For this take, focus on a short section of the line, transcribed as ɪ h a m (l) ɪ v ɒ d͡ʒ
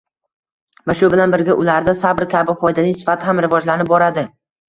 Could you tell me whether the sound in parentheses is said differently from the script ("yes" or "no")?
yes